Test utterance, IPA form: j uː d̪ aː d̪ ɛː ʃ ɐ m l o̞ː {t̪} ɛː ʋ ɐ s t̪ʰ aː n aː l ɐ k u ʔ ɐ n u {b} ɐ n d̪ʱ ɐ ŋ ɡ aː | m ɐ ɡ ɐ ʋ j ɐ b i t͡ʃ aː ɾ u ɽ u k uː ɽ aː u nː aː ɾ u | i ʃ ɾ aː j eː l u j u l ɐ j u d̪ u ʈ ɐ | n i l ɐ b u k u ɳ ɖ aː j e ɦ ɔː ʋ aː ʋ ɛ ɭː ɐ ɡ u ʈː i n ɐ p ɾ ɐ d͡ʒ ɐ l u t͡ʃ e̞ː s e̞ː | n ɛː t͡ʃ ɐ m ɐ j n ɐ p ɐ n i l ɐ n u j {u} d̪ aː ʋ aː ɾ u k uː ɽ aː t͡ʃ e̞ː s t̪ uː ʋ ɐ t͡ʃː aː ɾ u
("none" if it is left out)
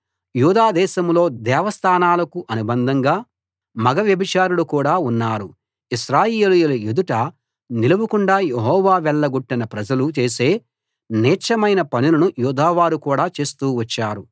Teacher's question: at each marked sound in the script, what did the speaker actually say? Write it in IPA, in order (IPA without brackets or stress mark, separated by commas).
d̪, b, uː